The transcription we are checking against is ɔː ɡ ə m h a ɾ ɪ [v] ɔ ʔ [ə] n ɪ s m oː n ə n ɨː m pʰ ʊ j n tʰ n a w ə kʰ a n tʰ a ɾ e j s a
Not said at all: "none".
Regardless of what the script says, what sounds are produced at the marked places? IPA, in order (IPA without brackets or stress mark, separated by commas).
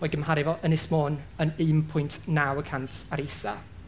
v, ə